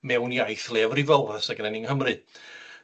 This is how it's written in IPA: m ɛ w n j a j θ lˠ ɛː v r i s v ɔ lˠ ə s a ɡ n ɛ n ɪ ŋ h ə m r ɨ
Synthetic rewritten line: m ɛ w n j a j θ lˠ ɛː v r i v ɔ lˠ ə s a ɡ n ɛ n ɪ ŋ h ə m r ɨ